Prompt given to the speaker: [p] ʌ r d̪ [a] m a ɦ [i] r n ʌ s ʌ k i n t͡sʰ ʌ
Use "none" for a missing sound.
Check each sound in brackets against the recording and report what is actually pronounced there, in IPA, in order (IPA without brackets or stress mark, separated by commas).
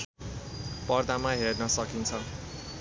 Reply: p, a, e